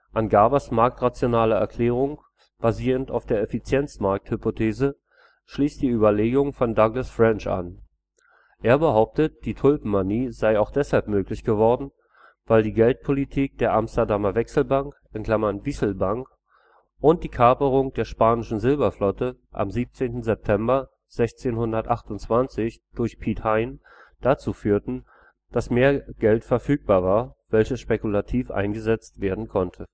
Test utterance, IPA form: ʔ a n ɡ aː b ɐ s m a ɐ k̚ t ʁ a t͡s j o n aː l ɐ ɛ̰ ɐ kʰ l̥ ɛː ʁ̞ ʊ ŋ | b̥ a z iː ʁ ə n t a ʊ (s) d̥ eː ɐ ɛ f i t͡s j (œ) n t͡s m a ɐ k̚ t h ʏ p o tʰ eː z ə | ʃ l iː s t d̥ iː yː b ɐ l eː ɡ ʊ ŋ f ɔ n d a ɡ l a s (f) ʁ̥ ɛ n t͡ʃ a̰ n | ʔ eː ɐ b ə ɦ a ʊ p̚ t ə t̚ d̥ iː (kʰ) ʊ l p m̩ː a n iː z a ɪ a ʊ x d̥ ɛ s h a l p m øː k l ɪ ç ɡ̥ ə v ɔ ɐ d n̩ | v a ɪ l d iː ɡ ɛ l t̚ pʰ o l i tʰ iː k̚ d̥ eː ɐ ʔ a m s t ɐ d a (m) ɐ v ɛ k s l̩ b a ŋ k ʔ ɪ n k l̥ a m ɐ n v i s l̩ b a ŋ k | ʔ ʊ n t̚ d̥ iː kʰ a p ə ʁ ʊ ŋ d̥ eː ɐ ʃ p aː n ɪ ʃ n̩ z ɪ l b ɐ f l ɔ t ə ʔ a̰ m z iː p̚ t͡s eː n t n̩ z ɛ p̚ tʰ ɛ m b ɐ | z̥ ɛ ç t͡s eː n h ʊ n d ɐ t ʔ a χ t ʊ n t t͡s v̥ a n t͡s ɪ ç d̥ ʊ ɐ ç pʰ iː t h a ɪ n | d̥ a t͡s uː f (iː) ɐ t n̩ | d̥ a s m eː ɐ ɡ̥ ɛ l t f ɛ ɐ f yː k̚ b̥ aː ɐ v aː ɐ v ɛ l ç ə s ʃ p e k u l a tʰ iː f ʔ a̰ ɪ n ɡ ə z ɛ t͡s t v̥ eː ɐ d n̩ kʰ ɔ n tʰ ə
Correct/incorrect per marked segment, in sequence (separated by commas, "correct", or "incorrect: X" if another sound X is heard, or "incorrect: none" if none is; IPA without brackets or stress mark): incorrect: f, incorrect: ɛ, correct, incorrect: tʰ, correct, incorrect: yː